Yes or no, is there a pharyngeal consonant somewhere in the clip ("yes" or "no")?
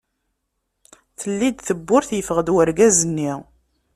no